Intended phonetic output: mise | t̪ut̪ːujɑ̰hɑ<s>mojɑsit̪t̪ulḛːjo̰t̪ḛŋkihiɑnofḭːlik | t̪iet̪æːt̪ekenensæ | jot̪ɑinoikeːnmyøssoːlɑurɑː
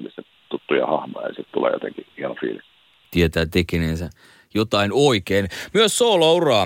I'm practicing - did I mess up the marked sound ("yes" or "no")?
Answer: yes